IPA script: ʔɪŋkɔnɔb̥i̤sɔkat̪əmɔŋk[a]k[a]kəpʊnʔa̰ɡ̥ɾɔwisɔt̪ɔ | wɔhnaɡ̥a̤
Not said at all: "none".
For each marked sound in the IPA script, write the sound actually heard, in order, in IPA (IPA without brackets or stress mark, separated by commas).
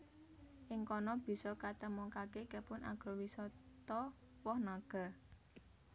a, e